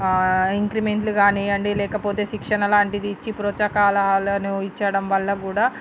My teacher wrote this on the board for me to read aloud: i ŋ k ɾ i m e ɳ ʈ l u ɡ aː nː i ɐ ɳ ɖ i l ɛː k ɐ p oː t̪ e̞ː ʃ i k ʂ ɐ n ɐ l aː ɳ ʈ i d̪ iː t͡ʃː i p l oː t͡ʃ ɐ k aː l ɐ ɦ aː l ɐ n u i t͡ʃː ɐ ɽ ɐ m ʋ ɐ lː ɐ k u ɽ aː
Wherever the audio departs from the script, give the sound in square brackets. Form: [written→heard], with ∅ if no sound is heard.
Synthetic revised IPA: i ŋ k ɾ i m e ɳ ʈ l u ɡ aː [nː→n] i ɐ ɳ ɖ i l ɛː k ɐ p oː t̪ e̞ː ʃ i k ʂ ɐ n ɐ l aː ɳ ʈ i d̪ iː t͡ʃː i p [l→ɾ] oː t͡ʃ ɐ k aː l ɐ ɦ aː l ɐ n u i t͡ʃː ɐ ɽ ɐ m ʋ ɐ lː ɐ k [u→uː] ɽ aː